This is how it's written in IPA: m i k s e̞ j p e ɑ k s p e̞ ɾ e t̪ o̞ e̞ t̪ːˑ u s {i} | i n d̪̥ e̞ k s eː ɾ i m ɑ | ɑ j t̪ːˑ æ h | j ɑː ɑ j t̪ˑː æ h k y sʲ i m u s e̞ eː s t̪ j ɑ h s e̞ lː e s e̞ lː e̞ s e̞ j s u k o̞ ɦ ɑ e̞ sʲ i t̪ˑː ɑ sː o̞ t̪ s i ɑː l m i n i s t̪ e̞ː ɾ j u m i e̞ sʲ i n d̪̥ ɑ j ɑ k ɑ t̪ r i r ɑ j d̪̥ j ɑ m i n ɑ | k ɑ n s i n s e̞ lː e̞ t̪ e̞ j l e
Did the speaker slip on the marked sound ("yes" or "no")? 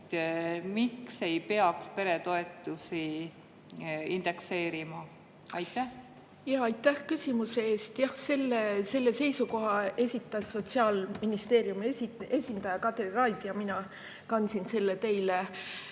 no